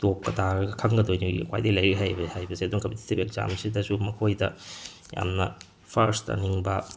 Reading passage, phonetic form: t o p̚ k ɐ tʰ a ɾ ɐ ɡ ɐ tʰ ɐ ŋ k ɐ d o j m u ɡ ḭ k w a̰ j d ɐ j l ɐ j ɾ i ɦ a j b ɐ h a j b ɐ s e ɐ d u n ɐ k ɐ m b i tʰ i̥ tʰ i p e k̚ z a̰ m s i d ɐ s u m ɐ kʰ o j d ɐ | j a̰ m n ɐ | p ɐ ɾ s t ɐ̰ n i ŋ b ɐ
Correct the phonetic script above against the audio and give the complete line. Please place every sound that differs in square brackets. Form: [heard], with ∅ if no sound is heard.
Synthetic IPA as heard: t o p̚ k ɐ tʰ a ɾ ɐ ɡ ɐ [kʰ] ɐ ŋ [ɡ] ɐ d o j [n] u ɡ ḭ k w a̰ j d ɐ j l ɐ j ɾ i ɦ a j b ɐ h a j b ɐ s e ɐ d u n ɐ k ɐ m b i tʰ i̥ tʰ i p e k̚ z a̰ m s i d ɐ s u m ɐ kʰ o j d ɐ | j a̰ m n ɐ | [pʰ] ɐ ɾ s t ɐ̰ n i ŋ b ɐ